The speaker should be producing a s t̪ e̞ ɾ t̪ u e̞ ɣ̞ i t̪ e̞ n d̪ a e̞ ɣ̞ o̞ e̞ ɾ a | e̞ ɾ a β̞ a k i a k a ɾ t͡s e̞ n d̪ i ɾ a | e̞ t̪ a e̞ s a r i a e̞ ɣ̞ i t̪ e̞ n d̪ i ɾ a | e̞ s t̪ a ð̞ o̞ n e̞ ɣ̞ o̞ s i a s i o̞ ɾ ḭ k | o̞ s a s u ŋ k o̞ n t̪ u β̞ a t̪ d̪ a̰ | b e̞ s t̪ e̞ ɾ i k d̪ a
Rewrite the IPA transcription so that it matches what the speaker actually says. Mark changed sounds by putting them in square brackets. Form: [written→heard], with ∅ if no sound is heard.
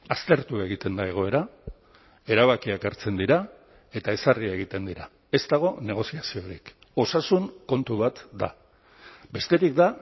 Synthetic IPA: a s t̪ e̞ ɾ t̪ u e̞ ɣ̞ i t̪ e̞ n d̪ a e̞ ɣ̞ o̞ e̞ ɾ a | e̞ ɾ a β̞ a k i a k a ɾ t͡s e̞ n d̪ i ɾ a | e̞ t̪ a e̞ s a r i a e̞ ɣ̞ i t̪ e̞ n d̪ i ɾ a | e̞ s t̪ a [ð̞→ɣ̞] o̞ n e̞ ɣ̞ o̞ s i a s i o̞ ɾ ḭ k | o̞ s a s u ŋ k o̞ n t̪ u β̞ a t̪ d̪ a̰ | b e̞ s t̪ e̞ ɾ i k d̪ a

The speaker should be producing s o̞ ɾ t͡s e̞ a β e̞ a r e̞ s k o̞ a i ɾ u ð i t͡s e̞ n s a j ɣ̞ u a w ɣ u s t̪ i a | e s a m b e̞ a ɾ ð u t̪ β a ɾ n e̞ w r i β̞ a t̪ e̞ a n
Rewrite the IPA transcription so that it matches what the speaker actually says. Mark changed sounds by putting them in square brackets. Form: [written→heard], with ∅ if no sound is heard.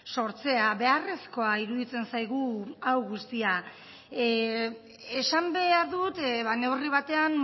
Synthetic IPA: s o̞ ɾ t͡s e̞ a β e̞ a r e̞ s k o̞ a i ɾ u ð i t͡s e̞ n s a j ɣ̞ u a w ɣ u s t̪ i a | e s a m b e̞ a ɾ ð u t̪ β a [ɾ→∅] n e̞ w r i β̞ a t̪ e̞ a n

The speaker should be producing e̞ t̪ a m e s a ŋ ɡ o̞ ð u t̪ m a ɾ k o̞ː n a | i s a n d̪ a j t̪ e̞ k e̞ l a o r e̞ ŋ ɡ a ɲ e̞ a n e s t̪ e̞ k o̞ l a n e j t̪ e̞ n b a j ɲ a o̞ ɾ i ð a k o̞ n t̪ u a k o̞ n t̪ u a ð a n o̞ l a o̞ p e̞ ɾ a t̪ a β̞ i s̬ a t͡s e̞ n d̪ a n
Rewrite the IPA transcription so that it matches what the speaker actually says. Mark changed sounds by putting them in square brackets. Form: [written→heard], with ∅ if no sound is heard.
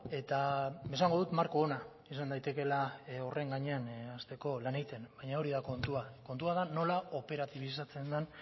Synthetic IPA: e̞ t̪ a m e s a ŋ ɡ o̞ ð u t̪ m a ɾ k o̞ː n a | i s a n d̪ a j t̪ e̞ k e̞ l a o r e̞ ŋ ɡ a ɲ e̞ a n [e→a] s t̪ e̞ k o̞ l a n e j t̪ e̞ n b a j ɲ a o̞ ɾ i ð a k o̞ n t̪ u a k o̞ n t̪ u a ð a n o̞ l a o̞ p e̞ ɾ a t̪ [a→i] β̞ i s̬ a t͡s e̞ n d̪ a n

